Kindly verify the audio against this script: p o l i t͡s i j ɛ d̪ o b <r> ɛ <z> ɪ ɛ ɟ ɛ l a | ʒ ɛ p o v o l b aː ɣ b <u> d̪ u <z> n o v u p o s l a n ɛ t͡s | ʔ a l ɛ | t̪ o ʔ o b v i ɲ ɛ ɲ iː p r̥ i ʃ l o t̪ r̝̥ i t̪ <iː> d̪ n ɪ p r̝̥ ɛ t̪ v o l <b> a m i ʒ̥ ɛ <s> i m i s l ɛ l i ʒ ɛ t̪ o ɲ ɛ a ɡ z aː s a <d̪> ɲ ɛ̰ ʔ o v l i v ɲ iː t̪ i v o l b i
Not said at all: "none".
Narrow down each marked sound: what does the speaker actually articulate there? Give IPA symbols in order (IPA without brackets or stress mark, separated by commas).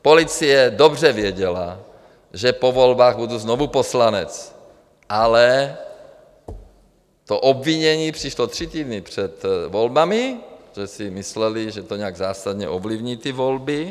r, v, u, z, iː, b, s, d̪